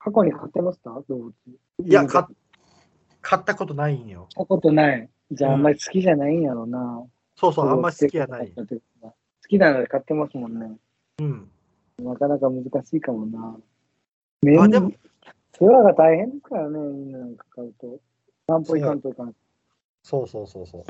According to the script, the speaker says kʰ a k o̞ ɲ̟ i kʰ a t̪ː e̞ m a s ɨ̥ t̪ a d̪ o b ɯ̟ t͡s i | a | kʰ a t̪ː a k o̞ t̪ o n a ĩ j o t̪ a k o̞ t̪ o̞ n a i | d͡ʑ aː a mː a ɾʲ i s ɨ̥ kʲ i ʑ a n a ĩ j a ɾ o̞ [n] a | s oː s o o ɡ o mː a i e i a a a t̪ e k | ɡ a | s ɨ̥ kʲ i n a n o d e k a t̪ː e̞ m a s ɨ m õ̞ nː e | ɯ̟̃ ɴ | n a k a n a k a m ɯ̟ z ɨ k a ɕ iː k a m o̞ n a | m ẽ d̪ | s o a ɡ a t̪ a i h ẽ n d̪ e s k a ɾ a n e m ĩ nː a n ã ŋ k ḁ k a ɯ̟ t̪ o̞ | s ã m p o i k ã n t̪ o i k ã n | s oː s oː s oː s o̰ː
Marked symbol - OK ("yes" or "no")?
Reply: yes